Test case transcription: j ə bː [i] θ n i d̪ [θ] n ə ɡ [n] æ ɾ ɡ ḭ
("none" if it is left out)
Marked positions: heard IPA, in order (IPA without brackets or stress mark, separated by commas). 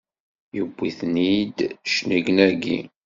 i, ʃ, n